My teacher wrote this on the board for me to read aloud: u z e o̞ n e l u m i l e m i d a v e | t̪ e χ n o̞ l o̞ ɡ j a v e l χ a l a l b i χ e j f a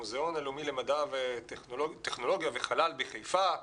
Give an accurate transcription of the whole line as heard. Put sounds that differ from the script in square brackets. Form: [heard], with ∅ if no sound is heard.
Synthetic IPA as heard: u z e o̞ n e l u m i l e m [a] d a v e | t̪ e χ n o̞ l o̞ ɡ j a v e [∅] χ a l a l b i χ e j f a